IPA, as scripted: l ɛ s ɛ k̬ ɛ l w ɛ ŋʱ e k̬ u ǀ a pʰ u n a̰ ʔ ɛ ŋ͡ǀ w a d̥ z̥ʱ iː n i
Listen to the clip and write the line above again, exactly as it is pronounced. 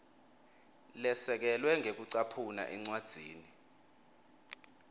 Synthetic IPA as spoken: l ɛ s ɛ k̬ ɛ l w ɛ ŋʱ e k̬ u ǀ a pʰ u n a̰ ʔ ɛ ŋ͡ǀ w a d̥ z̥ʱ iː n i